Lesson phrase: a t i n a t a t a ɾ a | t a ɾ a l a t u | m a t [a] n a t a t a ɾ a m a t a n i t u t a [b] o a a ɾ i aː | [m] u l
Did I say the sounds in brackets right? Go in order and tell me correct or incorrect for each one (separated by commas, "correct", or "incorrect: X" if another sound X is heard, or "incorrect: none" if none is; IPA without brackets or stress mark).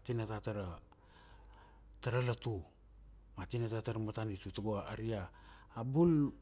incorrect: i, incorrect: ɡ, incorrect: b